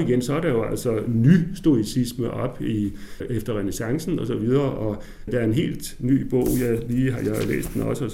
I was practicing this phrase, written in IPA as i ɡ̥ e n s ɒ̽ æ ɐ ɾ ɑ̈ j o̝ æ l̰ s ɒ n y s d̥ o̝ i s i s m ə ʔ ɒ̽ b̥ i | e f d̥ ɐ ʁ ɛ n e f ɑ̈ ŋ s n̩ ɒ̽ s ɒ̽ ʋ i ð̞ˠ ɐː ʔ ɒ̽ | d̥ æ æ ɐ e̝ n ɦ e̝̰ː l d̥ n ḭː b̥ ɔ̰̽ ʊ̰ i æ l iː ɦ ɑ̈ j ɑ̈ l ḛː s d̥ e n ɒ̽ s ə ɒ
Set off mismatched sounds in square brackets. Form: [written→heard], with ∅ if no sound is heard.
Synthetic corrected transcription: i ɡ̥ e n s ɒ̽ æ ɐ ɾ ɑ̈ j o̝ æ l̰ s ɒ n y s d̥ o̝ i s i s m ə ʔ ɒ̽ b̥ i | e f d̥ ɐ ʁ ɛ n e [f→s] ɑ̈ ŋ s n̩ ɒ̽ s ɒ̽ ʋ i ð̞ˠ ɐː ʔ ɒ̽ | d̥ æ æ ɐ e̝ n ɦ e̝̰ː l d̥ n [ḭː→y̰ː] b̥ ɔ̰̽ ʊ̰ [i→j] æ l iː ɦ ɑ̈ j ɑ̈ l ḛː s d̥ e n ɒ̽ s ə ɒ